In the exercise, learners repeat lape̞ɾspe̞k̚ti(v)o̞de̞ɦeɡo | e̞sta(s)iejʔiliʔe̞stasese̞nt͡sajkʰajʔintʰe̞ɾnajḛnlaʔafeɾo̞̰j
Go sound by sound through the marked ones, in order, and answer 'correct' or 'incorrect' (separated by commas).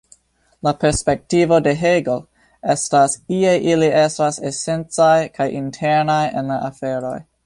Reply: correct, correct